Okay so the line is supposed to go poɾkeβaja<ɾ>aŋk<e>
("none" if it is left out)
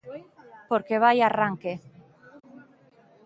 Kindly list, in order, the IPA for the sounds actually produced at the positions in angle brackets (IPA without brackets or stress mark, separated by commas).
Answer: r, e